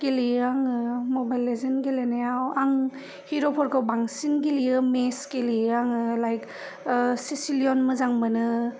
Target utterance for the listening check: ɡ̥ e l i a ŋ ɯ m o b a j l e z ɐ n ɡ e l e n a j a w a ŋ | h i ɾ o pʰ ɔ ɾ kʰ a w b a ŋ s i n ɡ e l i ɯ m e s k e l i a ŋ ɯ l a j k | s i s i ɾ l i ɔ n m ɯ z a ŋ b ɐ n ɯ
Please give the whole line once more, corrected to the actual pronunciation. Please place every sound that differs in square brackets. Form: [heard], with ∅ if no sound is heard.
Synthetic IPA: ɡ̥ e l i a ŋ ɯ m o b a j l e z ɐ n ɡ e l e n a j a w a ŋ | h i ɾ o pʰ ɔ ɾ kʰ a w b a ŋ s i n ɡ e l i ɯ m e s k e l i a ŋ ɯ l a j k | s i s i [∅] l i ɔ n m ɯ z a ŋ b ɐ n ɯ